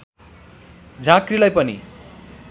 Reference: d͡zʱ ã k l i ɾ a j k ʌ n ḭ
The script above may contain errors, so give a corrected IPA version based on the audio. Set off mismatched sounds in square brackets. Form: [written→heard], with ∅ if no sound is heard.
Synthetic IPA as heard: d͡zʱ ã k [l→r] i [ɾ→l] a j [k→p] ʌ n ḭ